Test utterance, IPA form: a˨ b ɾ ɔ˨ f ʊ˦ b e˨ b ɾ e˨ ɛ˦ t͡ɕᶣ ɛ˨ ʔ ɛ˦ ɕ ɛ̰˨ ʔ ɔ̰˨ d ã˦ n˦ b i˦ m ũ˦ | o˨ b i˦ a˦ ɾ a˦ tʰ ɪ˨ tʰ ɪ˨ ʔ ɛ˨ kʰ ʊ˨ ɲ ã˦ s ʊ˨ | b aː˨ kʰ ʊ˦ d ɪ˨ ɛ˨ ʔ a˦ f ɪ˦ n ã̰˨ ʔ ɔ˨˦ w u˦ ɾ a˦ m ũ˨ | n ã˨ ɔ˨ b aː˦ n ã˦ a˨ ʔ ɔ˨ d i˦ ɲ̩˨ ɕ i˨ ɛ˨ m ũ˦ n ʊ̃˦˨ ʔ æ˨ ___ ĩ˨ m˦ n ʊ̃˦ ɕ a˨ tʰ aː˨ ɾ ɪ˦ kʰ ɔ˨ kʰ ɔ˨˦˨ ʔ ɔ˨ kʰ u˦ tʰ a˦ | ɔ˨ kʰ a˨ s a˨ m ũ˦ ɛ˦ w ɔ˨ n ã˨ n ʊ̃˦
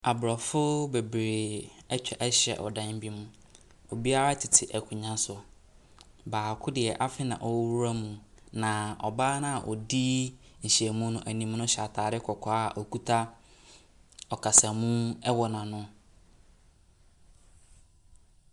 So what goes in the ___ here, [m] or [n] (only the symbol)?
n